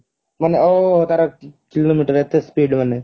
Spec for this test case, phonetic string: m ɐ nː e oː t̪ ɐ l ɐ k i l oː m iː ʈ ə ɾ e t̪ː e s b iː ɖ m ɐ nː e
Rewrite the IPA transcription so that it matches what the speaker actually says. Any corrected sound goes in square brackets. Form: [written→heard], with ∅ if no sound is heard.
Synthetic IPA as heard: m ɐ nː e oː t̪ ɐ [l→ɾ] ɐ k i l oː m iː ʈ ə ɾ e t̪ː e s [b→p] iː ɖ m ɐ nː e